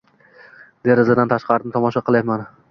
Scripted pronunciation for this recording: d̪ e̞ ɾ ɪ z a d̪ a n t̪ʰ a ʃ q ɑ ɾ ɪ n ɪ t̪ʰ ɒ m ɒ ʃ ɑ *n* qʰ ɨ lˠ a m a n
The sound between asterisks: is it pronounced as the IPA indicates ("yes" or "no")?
no